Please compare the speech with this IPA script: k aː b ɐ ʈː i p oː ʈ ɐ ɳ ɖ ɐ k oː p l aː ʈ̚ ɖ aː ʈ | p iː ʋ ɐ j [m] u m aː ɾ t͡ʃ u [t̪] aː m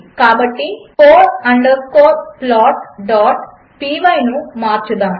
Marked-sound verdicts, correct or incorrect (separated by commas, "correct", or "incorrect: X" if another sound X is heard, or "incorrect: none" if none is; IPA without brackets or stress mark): incorrect: n, incorrect: d̪